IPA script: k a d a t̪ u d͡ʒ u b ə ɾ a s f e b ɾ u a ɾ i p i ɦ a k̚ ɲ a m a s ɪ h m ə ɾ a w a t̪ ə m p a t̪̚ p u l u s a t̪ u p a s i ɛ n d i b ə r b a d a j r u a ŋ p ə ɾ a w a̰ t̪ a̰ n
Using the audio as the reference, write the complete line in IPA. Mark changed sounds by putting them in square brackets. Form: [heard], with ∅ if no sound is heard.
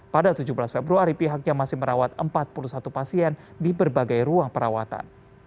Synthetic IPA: [p] a d a t̪ u d͡ʒ u b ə [l] a s f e b ɾ u a ɾ i p i ɦ a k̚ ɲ a m a s ɪ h m ə ɾ a w a t̪ ə m p a t̪̚ p u l u s a t̪ u p a s i ɛ n d i b ə r b a [ɡ] a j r u a ŋ p ə ɾ a w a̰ t̪ a̰ n